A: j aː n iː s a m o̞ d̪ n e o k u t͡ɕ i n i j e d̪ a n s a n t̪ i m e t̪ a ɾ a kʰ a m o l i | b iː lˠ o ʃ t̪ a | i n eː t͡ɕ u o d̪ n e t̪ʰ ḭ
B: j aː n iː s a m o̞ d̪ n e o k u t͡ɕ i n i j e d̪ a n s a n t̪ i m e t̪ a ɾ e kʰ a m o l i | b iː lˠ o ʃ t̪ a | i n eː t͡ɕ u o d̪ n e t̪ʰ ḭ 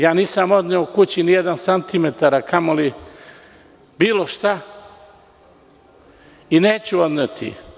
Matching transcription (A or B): A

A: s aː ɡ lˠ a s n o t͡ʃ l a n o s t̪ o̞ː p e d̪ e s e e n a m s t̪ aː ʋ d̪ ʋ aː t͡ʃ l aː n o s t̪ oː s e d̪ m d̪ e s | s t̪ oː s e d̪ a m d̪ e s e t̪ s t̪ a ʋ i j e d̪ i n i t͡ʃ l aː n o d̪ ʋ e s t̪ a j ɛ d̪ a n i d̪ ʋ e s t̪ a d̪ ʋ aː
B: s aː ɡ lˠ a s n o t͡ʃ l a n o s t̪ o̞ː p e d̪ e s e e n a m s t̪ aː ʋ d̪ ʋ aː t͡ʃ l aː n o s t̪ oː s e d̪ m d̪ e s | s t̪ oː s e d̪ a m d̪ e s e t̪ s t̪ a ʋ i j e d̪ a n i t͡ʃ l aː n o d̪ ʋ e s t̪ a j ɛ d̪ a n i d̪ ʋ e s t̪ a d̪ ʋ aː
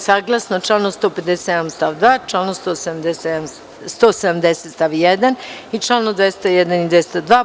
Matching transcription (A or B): B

